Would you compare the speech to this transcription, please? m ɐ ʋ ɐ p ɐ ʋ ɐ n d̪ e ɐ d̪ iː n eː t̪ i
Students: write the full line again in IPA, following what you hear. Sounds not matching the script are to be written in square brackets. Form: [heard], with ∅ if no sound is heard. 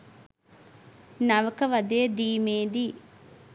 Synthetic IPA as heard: [n] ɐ ʋ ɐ [k] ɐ ʋ ɐ [∅] d̪ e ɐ d̪ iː [m] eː [d̪] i